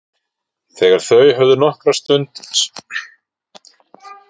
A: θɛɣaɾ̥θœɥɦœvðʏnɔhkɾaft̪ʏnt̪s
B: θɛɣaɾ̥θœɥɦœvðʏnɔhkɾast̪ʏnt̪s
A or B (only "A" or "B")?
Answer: B